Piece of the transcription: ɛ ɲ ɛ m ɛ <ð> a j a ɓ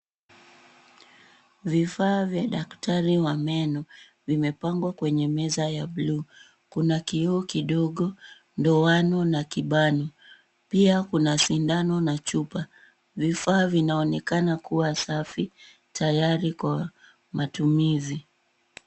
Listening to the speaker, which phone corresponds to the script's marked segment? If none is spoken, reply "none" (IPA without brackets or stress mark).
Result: z